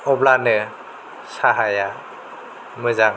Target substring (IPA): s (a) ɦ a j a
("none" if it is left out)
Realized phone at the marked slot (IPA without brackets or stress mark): a